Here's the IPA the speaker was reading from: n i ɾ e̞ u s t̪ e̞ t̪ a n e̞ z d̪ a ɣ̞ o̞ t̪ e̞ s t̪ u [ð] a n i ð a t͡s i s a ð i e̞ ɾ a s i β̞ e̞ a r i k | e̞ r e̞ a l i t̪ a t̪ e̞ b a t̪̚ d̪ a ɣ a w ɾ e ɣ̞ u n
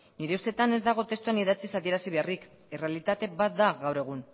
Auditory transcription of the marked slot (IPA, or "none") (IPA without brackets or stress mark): none